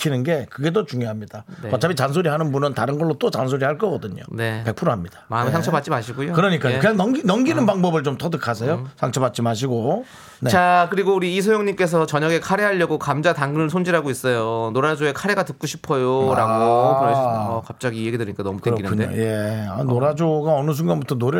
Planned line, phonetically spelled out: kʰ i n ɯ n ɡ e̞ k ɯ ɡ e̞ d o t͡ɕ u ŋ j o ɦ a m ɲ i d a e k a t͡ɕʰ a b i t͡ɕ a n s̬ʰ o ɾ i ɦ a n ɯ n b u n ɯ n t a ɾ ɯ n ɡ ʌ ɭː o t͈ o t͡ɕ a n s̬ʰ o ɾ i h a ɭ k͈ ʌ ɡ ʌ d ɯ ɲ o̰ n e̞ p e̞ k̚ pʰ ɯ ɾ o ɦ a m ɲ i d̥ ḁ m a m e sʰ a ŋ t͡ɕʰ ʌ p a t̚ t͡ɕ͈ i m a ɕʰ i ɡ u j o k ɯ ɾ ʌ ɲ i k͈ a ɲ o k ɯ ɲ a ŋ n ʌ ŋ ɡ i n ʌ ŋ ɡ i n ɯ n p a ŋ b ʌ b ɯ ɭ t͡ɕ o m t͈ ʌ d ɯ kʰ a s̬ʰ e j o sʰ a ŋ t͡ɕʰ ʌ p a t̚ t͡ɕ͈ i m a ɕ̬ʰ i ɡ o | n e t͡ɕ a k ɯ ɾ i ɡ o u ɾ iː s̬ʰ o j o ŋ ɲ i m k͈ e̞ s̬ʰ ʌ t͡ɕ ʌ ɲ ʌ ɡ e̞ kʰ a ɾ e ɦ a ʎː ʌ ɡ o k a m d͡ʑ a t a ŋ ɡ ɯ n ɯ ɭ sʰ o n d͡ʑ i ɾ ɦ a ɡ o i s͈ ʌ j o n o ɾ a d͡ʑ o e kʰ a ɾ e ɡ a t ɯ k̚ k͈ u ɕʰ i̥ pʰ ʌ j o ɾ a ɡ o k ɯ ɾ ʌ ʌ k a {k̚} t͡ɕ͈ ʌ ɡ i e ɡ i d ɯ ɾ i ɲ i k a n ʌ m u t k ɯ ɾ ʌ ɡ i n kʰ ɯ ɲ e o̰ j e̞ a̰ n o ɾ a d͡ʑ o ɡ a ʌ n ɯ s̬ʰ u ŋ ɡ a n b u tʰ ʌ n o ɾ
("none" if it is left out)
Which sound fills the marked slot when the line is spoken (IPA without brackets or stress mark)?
p̚